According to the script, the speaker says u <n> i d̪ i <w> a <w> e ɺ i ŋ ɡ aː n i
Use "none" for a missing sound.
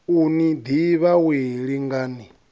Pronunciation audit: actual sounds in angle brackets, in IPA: n, β, w

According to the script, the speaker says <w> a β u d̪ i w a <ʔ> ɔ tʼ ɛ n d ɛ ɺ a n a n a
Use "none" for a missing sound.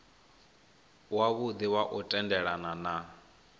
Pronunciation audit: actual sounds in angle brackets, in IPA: w, ʔ

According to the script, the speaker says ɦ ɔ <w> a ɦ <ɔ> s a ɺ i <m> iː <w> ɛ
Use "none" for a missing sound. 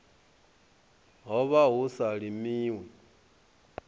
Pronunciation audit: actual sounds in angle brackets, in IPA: β, u, m, w

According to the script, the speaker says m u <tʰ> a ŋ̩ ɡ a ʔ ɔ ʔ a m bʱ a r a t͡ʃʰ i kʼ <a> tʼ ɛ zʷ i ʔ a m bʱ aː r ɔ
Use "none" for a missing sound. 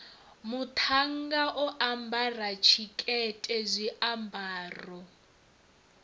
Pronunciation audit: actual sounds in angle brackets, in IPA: tʰ, ɛ

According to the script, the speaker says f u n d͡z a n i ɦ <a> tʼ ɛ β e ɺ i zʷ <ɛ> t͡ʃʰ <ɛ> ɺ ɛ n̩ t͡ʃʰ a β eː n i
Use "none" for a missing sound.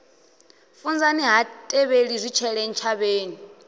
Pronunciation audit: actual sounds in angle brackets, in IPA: a, i, ɛ

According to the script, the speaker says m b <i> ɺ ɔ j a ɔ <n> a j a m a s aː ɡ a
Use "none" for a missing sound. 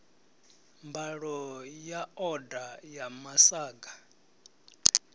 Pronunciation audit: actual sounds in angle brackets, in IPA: a, d

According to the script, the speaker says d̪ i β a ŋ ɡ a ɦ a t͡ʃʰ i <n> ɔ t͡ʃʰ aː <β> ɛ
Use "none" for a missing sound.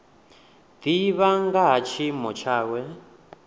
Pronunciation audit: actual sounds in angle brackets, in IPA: m, w

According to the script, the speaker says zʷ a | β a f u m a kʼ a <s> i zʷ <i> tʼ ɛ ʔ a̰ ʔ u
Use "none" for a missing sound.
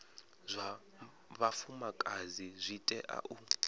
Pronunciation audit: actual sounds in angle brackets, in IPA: z, i

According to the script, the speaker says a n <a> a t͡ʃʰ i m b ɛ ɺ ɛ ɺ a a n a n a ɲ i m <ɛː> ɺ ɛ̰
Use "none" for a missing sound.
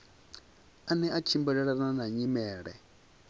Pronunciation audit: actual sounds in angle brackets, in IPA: ɛ, ɛː

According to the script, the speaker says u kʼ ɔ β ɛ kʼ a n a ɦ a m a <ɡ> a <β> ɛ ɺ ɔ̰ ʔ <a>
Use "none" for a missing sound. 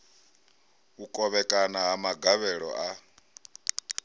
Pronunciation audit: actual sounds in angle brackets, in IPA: ɡ, β, a

